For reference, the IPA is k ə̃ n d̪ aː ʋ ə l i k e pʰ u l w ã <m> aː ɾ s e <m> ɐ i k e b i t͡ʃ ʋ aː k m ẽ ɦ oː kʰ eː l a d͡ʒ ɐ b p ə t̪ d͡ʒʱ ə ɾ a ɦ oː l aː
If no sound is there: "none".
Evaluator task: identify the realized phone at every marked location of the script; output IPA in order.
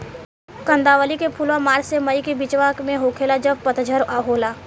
m, m

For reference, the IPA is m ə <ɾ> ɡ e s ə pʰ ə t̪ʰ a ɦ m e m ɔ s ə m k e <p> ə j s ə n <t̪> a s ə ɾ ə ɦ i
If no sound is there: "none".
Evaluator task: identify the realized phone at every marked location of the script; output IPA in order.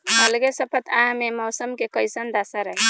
l, k, d̪

